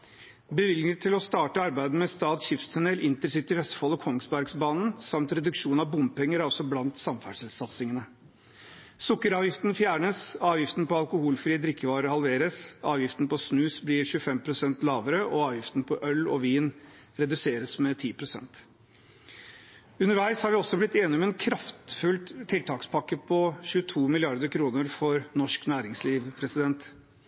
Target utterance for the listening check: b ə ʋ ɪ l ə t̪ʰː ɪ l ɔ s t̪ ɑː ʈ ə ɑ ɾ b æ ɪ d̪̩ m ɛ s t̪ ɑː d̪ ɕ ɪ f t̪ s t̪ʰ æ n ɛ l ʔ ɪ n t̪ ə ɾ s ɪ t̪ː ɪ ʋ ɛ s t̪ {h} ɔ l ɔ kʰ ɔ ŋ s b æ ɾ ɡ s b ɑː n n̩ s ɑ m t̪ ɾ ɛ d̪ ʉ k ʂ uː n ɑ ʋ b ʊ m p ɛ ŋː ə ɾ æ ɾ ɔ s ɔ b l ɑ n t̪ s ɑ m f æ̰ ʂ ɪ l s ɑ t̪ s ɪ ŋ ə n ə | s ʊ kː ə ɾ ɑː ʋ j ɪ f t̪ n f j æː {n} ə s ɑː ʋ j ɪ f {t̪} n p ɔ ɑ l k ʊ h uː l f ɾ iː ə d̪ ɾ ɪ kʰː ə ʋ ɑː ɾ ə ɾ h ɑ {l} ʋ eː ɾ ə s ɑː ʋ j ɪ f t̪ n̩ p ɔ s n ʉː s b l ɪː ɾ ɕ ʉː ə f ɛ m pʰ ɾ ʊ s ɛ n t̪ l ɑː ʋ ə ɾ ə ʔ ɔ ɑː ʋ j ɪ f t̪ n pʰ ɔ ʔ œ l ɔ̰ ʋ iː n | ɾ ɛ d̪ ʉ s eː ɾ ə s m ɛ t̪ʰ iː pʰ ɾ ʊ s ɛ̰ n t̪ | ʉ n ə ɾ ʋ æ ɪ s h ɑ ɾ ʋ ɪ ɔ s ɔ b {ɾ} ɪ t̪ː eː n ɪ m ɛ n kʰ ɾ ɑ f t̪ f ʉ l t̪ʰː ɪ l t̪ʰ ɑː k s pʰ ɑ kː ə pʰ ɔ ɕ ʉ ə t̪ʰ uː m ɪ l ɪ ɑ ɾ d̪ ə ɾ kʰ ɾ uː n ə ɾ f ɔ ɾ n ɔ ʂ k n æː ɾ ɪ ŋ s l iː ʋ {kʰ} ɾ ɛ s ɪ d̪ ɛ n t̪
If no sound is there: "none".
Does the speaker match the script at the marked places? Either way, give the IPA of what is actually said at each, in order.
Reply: f, ɳ, t̪, l, l, pʰ

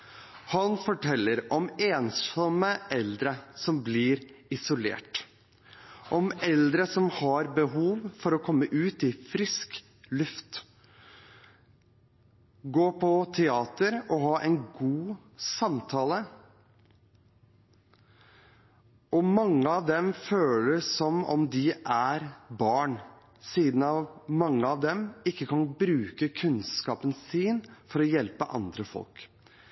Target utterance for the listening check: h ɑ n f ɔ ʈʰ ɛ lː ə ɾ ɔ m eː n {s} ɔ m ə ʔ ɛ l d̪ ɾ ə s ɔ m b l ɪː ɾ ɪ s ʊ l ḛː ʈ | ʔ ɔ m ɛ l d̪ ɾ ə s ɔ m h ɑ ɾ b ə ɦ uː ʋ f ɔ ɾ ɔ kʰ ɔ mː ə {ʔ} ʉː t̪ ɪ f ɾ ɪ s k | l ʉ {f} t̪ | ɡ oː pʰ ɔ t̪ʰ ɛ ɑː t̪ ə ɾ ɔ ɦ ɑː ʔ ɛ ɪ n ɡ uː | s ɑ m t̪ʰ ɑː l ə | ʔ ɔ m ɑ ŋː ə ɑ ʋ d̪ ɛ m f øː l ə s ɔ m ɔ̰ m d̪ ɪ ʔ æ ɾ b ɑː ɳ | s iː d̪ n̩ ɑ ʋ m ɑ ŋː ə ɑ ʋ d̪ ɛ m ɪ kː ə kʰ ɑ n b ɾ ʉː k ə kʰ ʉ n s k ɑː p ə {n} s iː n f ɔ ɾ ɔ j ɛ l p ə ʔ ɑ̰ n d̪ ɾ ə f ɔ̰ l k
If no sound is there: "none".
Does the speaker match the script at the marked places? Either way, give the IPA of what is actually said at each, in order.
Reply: s, ʔ, f, n

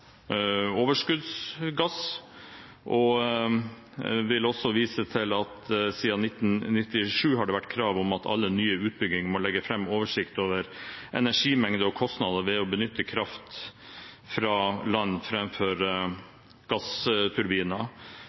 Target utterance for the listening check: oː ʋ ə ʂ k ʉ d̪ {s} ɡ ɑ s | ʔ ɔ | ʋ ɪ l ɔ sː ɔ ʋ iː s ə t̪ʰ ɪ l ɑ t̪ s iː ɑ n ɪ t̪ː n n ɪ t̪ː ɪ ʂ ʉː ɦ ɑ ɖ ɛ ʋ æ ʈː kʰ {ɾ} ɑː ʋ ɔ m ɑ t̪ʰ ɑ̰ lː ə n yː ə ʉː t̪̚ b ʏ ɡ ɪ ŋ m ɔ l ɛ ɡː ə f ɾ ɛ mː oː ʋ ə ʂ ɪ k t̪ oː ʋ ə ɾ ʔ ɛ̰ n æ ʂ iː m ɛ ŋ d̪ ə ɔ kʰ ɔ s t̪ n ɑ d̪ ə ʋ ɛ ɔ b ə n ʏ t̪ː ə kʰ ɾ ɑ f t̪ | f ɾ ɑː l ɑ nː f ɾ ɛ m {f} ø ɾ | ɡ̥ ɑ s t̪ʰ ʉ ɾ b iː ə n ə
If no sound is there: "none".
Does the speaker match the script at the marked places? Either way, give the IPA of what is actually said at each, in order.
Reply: s, ɾ, f

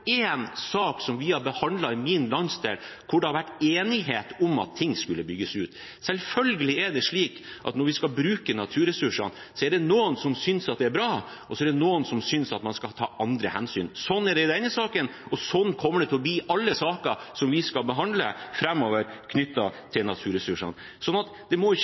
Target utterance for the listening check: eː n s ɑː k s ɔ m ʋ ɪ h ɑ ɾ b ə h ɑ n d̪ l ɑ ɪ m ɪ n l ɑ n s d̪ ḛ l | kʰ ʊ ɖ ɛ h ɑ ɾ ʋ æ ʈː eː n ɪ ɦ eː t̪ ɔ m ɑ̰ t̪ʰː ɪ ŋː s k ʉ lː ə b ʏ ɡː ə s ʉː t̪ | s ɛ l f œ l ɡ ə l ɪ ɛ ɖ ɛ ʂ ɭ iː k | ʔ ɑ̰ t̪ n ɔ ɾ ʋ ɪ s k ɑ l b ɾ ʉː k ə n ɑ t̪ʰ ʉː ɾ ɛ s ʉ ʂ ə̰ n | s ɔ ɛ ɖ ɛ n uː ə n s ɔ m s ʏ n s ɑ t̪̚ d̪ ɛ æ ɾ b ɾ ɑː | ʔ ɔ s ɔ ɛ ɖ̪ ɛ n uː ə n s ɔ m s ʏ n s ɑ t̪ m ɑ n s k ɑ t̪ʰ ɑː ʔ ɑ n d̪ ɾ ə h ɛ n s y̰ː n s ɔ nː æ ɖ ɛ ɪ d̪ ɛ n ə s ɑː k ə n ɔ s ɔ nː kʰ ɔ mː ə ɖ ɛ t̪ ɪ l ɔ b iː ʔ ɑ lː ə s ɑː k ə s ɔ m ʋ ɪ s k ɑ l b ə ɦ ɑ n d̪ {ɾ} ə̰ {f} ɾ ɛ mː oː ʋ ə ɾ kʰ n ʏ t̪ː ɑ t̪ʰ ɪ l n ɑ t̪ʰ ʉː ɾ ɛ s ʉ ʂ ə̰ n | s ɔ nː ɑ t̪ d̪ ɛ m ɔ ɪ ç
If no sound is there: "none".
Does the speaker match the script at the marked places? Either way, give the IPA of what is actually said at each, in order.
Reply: l, f

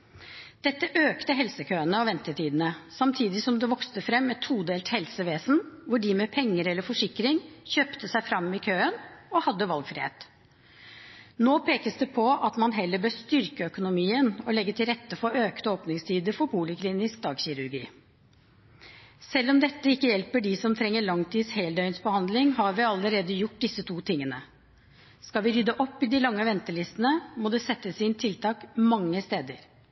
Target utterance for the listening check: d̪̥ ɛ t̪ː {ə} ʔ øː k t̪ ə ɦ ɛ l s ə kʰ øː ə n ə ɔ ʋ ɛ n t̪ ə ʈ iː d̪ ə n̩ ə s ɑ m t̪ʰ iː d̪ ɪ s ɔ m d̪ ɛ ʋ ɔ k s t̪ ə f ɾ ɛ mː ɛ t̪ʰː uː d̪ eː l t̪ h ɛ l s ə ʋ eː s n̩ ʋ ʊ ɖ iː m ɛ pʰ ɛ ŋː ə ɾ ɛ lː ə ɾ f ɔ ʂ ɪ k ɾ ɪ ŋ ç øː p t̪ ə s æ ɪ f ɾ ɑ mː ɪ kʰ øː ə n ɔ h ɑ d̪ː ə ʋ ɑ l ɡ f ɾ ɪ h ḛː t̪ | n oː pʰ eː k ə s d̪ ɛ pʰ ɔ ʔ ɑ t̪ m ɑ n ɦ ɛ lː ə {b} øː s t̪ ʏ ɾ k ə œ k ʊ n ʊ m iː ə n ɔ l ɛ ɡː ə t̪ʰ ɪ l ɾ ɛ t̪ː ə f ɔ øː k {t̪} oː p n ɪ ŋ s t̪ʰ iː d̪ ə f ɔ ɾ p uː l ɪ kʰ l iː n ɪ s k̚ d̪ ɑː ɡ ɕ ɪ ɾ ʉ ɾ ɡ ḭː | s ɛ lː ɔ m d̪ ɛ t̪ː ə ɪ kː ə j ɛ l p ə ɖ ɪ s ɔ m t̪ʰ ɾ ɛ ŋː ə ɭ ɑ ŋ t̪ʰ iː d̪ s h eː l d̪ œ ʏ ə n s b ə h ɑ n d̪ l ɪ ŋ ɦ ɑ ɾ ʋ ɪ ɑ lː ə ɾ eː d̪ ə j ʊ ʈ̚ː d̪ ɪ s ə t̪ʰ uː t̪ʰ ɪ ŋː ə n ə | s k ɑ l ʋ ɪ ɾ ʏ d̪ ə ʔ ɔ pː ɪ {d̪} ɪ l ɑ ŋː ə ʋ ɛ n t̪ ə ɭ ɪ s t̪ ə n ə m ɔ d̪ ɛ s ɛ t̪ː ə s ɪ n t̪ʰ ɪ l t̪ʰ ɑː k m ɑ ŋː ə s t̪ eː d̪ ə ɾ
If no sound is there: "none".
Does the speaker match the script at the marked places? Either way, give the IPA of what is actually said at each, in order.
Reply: ə, b, t̪, d̪

